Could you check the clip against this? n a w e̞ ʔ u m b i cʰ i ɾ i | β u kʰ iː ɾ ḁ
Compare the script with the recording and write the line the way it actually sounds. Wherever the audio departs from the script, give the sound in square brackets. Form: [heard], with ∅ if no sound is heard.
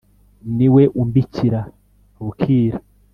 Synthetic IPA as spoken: n [i] w e̞ ʔ u m b i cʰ i ɾ [a] | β u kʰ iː ɾ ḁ